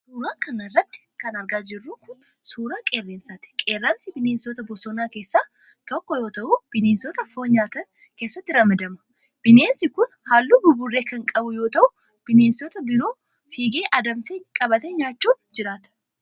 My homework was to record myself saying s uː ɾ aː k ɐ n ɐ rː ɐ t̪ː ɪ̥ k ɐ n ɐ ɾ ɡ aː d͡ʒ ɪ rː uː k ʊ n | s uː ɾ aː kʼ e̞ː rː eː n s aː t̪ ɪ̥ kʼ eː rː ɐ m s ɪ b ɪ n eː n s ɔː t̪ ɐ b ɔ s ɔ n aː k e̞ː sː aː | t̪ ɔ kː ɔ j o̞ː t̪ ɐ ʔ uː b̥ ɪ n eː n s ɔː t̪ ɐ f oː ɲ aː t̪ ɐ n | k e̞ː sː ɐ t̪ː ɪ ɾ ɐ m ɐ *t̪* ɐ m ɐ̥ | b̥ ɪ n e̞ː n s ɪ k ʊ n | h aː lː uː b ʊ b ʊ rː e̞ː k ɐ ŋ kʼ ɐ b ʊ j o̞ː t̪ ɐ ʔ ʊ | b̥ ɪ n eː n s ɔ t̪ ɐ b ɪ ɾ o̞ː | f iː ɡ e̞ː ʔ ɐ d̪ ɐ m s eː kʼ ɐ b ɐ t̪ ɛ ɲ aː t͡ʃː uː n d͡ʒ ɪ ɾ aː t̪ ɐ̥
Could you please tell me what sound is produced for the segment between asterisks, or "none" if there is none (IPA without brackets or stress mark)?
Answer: d̪